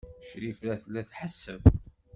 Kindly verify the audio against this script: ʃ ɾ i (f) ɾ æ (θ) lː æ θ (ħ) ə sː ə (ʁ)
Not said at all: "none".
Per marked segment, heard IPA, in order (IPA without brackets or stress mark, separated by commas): f, θ, ħ, v